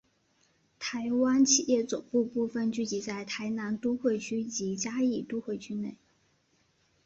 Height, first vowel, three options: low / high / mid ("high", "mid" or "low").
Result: low